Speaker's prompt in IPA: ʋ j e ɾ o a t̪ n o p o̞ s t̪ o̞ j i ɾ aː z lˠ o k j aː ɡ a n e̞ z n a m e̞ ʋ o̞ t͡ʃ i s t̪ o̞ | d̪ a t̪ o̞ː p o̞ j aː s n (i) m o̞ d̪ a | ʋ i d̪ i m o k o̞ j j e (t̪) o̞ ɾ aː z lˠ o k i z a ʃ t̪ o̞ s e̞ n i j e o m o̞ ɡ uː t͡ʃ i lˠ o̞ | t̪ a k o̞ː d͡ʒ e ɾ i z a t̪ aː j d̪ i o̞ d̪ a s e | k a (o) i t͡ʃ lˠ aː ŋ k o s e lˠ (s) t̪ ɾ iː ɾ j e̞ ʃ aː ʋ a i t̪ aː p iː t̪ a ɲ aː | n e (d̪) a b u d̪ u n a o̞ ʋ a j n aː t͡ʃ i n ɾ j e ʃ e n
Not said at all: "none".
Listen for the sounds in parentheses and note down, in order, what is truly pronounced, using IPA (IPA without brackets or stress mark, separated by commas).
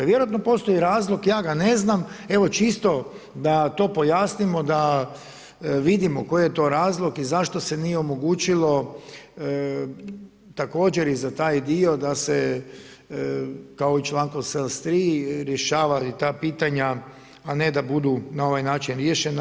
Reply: i, t̪, o, s, d̪